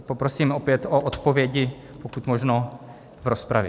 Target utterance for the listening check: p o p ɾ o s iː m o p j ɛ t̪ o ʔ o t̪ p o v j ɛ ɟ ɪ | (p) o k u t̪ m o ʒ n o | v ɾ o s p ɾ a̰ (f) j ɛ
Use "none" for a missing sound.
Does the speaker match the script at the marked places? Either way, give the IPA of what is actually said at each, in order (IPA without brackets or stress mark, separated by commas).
p, v